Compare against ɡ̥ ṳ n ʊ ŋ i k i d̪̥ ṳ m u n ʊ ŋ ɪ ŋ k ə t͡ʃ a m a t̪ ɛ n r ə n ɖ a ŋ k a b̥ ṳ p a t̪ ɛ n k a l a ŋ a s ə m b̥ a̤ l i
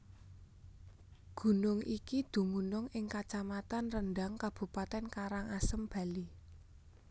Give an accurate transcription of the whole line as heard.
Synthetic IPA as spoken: ɡ̥ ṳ n ʊ ŋ i k i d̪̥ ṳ m u n ʊ ŋ ɪ ŋ k a t͡ʃ a m a t̪ a n r ə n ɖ a ŋ k a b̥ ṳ p a t̪ ɛ n k a ɾ a ŋ a s ə m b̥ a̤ l i